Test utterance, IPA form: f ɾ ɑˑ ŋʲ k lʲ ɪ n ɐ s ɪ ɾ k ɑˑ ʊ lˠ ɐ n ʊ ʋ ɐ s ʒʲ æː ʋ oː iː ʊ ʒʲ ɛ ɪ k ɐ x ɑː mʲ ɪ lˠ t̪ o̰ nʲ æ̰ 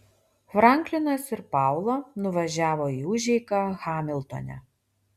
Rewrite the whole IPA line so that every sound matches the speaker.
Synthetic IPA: f ɾ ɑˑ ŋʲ k lʲ ɪ n ɐ s ɪ ɾ p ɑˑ ʊ lˠ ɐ n ʊ ʋ ɐ ʒʲ æː ʋ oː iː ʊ ʒʲ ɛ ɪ k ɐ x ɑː mʲ ɪ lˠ t̪ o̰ nʲ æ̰